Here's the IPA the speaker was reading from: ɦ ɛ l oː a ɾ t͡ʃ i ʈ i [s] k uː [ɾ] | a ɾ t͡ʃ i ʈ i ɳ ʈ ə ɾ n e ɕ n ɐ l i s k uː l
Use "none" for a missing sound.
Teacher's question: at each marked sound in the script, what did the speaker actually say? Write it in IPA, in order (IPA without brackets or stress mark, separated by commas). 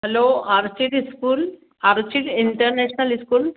s, l